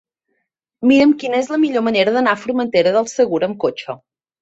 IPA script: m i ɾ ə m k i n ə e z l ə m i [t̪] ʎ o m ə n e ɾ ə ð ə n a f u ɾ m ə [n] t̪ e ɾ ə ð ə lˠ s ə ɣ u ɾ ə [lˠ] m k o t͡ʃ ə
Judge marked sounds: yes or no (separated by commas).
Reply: no, yes, no